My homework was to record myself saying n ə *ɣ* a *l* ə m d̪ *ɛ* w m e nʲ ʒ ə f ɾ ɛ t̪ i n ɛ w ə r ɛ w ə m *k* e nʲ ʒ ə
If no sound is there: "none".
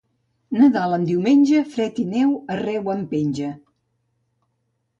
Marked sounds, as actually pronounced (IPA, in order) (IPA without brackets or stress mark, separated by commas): ð, l, i, p